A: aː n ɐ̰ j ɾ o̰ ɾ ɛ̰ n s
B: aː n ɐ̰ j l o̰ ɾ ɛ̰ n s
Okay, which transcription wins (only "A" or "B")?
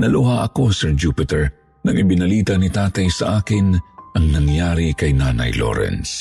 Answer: B